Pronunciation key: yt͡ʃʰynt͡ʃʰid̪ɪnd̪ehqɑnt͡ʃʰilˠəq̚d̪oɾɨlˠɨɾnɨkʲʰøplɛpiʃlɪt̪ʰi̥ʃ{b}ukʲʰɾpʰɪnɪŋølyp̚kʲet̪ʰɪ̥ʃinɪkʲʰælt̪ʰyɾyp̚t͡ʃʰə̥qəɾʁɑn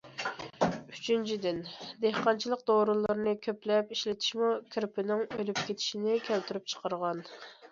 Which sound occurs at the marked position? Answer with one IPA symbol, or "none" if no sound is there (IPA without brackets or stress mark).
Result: m